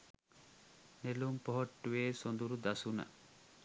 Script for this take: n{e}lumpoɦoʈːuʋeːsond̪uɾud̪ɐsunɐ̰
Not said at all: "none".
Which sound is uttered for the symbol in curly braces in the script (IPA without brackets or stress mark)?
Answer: e